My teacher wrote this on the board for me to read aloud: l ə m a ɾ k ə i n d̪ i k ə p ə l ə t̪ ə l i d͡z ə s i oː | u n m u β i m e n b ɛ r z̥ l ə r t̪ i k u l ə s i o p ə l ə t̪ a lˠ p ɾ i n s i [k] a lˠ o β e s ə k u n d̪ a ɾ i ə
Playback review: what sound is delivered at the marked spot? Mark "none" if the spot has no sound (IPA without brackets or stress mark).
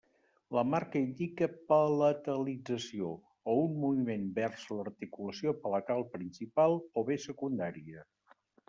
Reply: p